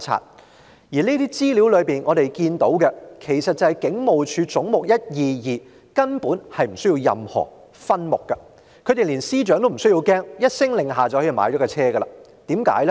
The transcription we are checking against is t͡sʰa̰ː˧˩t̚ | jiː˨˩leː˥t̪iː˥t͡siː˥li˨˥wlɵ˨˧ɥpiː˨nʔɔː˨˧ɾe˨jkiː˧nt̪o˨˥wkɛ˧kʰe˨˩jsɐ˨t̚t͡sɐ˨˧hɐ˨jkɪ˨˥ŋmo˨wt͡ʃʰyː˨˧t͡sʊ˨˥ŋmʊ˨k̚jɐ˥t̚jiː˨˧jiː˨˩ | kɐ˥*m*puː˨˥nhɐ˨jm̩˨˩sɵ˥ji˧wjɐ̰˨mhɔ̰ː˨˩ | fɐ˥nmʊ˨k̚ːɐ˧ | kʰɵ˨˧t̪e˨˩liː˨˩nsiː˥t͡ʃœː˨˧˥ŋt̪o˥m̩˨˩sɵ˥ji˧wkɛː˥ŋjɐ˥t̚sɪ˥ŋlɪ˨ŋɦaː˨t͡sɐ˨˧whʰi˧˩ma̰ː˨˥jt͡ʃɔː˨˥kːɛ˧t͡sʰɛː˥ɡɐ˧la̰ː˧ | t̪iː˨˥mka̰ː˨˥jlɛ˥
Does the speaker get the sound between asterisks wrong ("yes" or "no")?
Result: yes